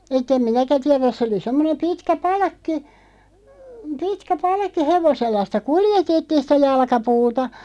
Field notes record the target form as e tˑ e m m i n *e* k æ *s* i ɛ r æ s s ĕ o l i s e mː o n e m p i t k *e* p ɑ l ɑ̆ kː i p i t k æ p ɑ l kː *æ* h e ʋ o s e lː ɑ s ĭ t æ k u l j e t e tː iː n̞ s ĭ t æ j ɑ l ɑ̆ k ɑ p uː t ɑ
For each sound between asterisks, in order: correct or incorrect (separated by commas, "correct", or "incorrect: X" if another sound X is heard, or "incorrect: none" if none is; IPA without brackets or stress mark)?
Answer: incorrect: æ, incorrect: t, incorrect: æ, incorrect: i